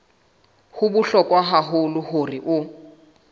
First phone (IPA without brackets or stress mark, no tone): h